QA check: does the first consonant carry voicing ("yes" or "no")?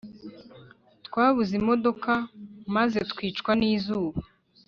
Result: no